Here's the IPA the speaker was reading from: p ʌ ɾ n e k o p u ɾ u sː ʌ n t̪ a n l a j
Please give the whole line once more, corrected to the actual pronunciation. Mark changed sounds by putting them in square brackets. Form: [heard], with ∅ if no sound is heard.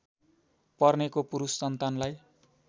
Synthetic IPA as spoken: p ʌ [r] n e k o p u ɾ u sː ʌ n t̪ a n l a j